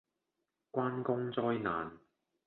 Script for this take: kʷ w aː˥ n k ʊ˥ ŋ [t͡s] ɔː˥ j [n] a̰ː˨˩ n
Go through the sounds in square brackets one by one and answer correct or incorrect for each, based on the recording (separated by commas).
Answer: correct, correct